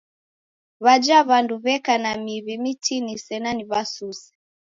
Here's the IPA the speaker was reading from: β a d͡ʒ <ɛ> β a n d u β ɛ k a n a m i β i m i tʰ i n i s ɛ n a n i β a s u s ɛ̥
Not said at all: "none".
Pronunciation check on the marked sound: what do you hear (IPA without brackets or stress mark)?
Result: a